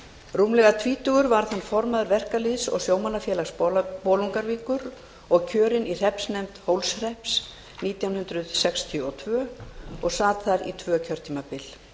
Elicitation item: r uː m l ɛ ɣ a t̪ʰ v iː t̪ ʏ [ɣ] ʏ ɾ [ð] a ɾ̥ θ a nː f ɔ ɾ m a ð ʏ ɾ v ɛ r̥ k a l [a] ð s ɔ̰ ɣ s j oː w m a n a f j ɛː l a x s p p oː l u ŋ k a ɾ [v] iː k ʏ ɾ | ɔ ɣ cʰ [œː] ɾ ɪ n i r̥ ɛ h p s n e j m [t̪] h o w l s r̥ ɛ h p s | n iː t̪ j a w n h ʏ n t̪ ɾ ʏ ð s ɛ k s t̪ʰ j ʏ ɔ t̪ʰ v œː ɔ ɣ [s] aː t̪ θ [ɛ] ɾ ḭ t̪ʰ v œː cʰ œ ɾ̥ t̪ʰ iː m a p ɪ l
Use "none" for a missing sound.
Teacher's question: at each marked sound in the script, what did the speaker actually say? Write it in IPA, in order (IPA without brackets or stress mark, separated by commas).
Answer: ɣ, v, i, v, œː, t̪, s, a